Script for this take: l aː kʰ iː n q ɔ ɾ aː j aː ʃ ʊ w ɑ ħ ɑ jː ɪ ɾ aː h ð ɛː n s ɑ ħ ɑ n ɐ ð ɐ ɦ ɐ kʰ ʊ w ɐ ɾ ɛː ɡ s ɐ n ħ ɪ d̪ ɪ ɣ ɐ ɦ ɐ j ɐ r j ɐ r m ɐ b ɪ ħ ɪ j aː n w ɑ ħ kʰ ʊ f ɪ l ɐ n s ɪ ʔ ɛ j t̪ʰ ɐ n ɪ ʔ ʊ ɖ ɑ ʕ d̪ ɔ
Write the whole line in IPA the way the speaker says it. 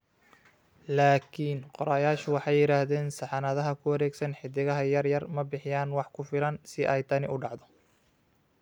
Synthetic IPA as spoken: l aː kʰ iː n q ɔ ɾ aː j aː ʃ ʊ w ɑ ħ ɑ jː ɪ ɾ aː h ð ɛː n s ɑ ħ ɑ n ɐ ð ɐ ɦ ɐ kʰ ʊ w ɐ ɾ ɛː ɡ s ɐ n ħ ɪ d̪ ɪ ɣ ɐ ɦ ɐ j ɐ r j ɐ r m ɐ b ɪ ħ ɪ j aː n w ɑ ħ kʰ ʊ f ɪ l ɐ n s ɪ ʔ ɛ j t̪ʰ ɐ n ɪ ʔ ʊ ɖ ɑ ʕ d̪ ɔ